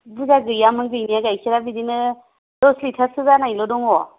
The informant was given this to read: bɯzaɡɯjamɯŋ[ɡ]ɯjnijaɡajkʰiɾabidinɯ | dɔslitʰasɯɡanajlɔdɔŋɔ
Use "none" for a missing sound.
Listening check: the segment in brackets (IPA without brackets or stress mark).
ɡ